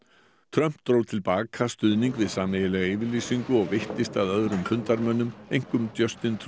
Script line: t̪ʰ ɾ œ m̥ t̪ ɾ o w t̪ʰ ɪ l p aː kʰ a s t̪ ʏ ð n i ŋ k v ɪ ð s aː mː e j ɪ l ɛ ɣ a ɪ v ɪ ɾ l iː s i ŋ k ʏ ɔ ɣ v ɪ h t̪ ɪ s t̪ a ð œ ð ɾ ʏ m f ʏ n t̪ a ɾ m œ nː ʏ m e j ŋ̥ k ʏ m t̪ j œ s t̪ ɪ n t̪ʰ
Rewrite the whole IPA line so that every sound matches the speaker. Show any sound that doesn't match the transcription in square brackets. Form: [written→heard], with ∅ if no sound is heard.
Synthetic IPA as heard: t̪ʰ ɾ œ m̥ t̪ ɾ o w t̪ʰ ɪ l p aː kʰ a s t̪ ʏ ð n i ŋ k v ɪ ð s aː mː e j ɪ l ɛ ɣ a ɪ v ɪ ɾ l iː s i ŋ k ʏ ɔ ɣ v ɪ h t̪ ɪ s t̪ a ð œ ð ɾ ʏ m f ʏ n t̪ a ɾ m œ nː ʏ m e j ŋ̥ k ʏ m t̪ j œ s t̪ ɪ n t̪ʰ